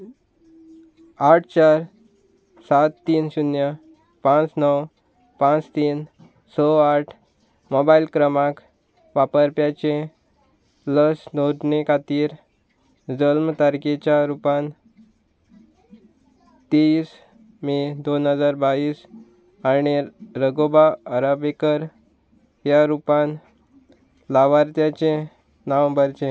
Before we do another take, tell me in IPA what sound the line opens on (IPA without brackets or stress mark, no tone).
a